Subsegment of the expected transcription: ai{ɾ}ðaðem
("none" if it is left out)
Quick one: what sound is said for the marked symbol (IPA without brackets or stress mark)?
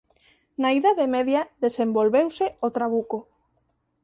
none